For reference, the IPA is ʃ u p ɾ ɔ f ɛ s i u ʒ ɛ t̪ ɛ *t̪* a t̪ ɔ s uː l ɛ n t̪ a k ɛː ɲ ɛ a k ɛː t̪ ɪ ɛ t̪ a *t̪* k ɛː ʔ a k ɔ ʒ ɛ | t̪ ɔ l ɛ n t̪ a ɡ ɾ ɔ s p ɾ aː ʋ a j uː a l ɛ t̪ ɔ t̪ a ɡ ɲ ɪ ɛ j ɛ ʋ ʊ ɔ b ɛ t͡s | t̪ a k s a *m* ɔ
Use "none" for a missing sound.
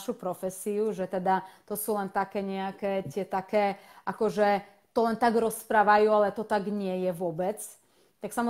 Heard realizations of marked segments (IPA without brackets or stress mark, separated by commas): d̪, none, m